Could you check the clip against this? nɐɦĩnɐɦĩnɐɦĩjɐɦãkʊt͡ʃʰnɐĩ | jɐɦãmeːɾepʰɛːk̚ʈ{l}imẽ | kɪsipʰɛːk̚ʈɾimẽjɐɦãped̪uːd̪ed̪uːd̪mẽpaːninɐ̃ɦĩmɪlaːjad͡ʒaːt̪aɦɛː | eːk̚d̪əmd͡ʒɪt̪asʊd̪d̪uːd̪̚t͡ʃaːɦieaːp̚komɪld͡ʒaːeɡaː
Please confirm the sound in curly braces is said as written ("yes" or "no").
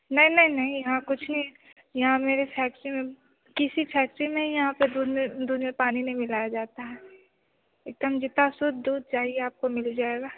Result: no